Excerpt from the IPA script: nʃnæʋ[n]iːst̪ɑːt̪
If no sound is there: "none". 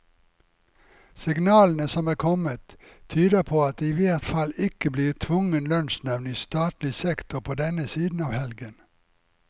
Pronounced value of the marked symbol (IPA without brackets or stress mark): n